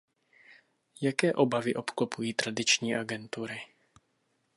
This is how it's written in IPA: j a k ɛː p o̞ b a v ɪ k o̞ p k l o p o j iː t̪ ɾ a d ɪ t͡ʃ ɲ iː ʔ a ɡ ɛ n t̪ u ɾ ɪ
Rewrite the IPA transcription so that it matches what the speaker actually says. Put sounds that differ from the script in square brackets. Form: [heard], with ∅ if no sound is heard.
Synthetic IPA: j a k ɛː [ʔ] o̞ b a v ɪ [ʔ] o̞ p k l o p [u] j iː t̪ ɾ a d ɪ t͡ʃ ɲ iː ʔ a ɡ ɛ n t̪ u ɾ ɪ